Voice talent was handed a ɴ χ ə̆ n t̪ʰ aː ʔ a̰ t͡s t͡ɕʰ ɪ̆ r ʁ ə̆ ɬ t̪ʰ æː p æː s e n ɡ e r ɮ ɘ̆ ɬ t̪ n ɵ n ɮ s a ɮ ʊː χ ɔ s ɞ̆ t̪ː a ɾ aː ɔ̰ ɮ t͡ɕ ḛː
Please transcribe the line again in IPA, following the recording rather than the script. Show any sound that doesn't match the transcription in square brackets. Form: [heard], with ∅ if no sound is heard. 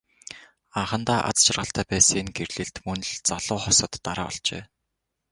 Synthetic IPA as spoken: a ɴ χ ə̆ n [t̪] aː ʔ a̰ t͡s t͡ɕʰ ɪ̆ r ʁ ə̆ ɬ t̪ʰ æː p æː s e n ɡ e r ɮ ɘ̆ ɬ t̪ [m] ɵ n ɮ [t͡s] a ɮ ʊː χ ɔ s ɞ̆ t̪ː a ɾ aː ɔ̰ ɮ t͡ɕ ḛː

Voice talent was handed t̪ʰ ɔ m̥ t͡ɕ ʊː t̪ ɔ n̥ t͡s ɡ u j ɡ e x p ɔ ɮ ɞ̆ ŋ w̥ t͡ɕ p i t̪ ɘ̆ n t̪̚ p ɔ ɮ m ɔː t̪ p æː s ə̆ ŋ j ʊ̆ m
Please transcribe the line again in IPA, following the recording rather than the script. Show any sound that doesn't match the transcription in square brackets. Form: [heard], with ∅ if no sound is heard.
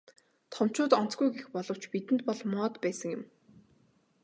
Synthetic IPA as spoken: t̪ʰ ɔ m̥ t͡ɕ ʊː t̪ ɔ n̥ t͡s ɡ u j ɡ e x p ɔ ɮ ɞ̆ [∅] w̥ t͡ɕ p i t̪ ɘ̆ n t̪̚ p ɔ ɮ m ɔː t̪ p æː s ə̆ ŋ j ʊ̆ m

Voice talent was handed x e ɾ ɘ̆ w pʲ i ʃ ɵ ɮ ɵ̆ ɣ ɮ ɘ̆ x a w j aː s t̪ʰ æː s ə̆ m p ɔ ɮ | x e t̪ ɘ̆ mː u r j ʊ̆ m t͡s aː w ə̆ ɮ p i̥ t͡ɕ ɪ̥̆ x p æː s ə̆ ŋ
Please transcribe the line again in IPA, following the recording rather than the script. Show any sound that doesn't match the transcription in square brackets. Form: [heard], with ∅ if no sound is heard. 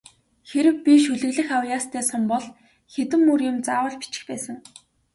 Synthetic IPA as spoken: x e ɾ ɘ̆ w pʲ i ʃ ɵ ɮ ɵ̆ ɣ ɮ ɘ̆ x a w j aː s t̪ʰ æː s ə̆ m p ɔ ɮ | x e t̪ ɘ̆ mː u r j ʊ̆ m t͡s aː w ə̆ ɮ p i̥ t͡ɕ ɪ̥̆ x p æː s ə̆ ŋ

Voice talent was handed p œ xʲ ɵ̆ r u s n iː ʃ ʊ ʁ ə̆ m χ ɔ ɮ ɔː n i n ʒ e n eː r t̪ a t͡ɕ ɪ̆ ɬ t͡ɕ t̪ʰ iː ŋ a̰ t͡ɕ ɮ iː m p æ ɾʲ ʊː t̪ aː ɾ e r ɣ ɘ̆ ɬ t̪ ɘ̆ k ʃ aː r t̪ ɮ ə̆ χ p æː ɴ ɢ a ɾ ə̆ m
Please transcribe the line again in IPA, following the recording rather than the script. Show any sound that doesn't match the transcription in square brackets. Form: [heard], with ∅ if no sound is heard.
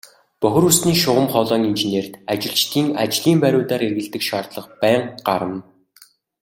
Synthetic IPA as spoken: p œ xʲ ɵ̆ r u s n iː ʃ ʊ ʁ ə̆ m χ ɔ ɮ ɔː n i n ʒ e n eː r t̪ a t͡ɕ ɪ̆ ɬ t͡ɕ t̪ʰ iː ŋ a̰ t͡ɕ ɮ iː m p æ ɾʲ ʊː t̪ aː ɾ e r ɣ ɘ̆ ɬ t̪ ɘ̆ k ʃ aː r t̪ ɮ ə̆ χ p æː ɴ ɢ a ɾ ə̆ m

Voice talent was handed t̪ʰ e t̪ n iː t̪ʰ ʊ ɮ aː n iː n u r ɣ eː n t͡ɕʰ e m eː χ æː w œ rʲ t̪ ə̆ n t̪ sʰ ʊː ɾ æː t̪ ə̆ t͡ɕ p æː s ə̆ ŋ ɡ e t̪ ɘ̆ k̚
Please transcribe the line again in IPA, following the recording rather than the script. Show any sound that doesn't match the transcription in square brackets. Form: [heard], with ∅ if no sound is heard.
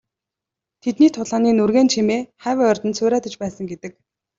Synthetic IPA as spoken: t̪ʰ e t̪ n iː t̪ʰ ʊ ɮ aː n iː n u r ɣ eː n t͡ɕʰ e m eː χ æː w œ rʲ t̪ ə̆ n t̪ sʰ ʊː ɾ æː t̪ ə̆ t͡ɕ p æː s ə̆ ŋ ɡ e t̪ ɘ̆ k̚

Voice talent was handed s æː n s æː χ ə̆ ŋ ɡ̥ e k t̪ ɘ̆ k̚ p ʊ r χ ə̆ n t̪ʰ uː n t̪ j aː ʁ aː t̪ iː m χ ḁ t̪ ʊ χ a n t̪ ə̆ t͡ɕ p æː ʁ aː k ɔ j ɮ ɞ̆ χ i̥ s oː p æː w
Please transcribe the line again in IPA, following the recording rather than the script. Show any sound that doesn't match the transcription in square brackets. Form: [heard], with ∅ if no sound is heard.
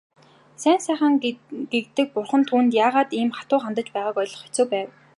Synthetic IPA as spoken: s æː n s æː χ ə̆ ŋ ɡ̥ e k t̪ ɘ̆ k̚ p ʊ r χ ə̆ n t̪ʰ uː n t̪ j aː ʁ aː t̪ iː m χ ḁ t̪ [ʊː] χ a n t̪ ə̆ t͡ɕ p æː ʁ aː k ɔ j ɮ ɞ̆ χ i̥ [t͡s] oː p æː w

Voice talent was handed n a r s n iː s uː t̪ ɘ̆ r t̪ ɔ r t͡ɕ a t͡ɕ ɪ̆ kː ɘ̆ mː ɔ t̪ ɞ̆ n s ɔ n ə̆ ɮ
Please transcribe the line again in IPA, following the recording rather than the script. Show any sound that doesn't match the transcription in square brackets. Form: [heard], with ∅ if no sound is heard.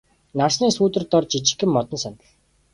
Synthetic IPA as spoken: n a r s n iː s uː t̪ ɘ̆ r t̪ ɔ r t͡ɕ [i] t͡ɕ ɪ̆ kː ɘ̆ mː ɔ t̪ ɞ̆ n s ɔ n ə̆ ɮ

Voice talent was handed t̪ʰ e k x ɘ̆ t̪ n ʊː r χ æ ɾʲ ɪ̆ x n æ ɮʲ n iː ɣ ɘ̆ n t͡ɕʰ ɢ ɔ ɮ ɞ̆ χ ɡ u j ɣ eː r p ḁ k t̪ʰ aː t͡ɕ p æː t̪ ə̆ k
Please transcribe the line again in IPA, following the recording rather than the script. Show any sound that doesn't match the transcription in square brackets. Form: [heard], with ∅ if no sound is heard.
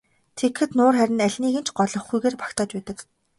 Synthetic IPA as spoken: t̪ʰ e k x ɘ̆ t̪ n ʊː r χ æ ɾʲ ɪ̆ [∅] n æ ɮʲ n iː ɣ ɘ̆ n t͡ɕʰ ɢ ɔ ɮ ɞ̆ χ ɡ u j ɣ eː r p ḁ k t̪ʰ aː t͡ɕ p æː t̪ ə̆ k

